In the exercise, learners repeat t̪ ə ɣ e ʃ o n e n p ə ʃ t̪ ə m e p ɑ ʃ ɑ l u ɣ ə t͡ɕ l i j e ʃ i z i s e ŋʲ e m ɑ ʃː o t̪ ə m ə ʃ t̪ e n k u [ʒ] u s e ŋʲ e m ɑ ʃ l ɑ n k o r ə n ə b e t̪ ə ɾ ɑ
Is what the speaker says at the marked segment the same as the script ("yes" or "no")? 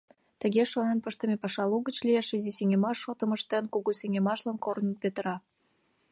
no